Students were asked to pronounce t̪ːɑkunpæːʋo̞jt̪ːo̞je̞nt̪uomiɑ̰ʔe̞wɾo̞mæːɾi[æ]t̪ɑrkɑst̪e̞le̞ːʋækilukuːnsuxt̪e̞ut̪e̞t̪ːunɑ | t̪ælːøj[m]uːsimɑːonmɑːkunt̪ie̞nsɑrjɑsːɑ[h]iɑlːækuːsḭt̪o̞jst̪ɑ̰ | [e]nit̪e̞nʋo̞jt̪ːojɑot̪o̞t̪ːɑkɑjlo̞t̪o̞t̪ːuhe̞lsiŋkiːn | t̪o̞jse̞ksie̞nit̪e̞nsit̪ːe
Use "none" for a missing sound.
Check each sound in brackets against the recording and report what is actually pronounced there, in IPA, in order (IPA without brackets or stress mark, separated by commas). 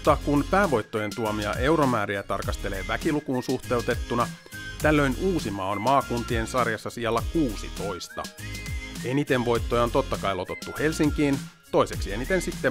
æ, n, s, e